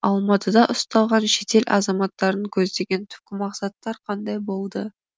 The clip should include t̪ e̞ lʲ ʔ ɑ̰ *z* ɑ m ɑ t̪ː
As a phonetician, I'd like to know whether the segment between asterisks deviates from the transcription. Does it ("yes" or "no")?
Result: no